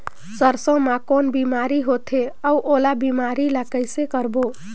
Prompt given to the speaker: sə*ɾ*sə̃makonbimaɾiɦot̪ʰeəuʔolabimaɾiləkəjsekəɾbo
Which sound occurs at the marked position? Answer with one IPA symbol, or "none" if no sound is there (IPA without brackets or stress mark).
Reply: ɾ